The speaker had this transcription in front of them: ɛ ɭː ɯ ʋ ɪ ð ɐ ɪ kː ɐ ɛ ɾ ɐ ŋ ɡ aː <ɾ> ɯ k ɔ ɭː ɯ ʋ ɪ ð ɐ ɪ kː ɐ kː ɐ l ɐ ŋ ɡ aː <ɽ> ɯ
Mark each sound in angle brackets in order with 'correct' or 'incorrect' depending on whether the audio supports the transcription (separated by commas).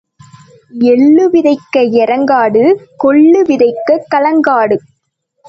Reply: incorrect, correct